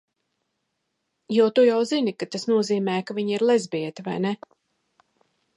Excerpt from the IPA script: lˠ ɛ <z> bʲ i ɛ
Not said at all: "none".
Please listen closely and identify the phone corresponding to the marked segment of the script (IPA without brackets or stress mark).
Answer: z